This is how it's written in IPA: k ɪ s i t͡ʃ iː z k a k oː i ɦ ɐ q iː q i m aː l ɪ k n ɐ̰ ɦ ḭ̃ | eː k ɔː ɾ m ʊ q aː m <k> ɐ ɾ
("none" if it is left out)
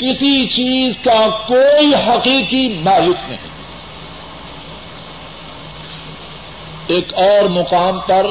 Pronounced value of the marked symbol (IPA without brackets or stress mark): p